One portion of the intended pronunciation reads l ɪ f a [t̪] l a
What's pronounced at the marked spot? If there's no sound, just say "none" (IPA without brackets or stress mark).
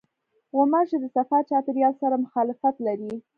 t̪